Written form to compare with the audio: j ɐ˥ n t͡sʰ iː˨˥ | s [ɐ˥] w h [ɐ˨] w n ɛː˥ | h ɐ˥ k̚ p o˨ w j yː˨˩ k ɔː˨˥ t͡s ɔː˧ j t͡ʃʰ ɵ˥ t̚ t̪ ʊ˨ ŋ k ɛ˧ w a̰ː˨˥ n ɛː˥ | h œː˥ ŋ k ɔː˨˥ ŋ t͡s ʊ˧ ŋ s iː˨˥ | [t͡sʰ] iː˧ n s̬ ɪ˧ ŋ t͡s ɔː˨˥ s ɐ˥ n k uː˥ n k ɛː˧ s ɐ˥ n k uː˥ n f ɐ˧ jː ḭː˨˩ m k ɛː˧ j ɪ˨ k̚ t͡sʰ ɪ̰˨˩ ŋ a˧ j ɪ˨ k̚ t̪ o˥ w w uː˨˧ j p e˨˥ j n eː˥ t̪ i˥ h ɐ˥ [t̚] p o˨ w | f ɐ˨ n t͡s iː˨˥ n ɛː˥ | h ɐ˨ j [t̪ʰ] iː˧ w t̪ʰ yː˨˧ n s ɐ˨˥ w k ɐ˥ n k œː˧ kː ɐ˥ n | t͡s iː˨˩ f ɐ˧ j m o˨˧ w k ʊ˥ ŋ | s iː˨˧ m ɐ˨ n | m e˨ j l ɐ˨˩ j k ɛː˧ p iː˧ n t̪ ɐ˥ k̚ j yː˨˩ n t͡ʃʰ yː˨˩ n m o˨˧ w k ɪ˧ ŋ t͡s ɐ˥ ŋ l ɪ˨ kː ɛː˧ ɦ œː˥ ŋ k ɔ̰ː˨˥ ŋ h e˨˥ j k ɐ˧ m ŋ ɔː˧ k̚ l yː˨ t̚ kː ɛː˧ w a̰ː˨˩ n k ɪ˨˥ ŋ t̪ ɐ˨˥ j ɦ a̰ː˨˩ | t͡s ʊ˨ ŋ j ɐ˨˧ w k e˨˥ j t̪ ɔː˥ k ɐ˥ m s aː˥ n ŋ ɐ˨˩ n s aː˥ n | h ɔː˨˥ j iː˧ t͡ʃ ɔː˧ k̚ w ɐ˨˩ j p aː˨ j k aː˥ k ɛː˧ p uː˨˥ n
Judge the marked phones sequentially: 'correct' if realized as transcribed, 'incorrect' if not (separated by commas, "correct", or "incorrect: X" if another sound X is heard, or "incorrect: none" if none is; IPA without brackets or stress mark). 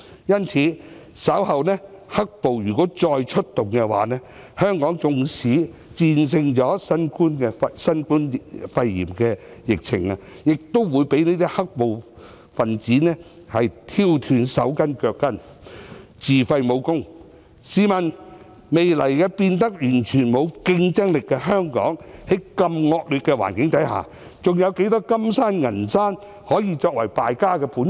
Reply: incorrect: ɐ˨˥, correct, incorrect: t͡s, incorrect: k̚, correct